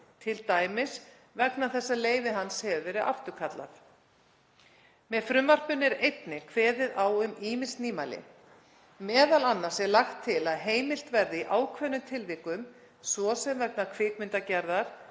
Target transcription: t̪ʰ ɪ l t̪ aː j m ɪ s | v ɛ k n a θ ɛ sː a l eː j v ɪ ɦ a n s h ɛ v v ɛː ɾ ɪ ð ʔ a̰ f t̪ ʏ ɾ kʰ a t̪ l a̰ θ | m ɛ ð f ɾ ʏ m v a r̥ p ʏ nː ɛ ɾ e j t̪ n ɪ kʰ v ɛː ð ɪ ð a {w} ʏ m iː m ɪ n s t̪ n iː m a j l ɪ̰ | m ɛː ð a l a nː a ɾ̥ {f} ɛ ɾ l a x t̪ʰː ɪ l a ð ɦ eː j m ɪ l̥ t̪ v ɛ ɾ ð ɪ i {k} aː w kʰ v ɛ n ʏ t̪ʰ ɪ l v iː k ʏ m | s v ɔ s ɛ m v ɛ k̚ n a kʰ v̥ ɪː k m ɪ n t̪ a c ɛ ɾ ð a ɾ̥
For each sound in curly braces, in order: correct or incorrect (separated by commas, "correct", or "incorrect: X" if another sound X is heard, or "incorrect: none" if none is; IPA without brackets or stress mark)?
correct, incorrect: s, incorrect: ʔ